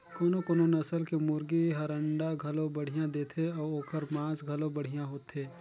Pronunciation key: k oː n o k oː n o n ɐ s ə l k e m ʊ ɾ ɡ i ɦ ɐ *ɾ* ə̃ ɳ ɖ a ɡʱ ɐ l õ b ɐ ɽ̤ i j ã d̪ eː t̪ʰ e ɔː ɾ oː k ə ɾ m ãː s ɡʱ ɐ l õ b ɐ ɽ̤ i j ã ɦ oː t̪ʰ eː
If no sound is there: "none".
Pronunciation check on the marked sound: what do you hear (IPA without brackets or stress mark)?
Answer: ɾ